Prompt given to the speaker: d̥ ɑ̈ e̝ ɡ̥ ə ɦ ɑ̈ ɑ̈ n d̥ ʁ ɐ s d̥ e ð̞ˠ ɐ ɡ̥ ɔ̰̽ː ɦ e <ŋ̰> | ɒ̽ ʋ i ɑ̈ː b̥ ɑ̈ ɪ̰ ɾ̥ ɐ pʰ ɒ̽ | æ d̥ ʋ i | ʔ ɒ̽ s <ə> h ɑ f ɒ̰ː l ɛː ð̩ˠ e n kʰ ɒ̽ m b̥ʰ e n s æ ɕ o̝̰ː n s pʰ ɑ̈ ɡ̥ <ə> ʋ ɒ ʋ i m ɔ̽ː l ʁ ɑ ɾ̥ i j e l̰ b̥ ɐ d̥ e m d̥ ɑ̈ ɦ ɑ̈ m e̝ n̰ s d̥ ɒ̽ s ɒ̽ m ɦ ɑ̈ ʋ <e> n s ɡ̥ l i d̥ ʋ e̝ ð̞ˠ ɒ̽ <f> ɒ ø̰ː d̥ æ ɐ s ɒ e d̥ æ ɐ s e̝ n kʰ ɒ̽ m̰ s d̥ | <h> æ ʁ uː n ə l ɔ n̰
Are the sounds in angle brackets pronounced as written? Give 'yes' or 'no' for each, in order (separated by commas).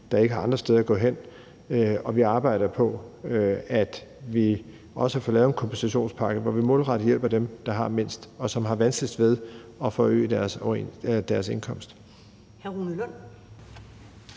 no, yes, yes, no, yes, yes